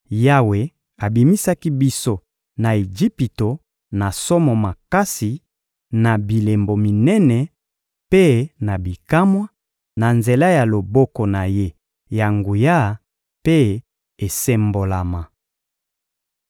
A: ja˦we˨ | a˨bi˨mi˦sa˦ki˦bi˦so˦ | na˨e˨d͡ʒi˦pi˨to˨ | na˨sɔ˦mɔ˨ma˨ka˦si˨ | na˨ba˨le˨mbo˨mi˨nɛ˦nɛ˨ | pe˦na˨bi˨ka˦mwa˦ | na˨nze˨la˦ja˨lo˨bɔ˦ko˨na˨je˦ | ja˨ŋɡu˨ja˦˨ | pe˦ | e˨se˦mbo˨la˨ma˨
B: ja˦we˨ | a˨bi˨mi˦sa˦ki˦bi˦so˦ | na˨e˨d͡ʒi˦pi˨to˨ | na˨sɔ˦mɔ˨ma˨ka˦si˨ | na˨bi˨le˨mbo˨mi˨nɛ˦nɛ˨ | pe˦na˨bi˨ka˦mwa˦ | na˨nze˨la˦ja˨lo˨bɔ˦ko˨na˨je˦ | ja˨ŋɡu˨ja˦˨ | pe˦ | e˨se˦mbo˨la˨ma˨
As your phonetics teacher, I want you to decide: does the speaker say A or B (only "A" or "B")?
B